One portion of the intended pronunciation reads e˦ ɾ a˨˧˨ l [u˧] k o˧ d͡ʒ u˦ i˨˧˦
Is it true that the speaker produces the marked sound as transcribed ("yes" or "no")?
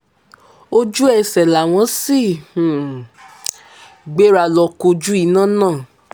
no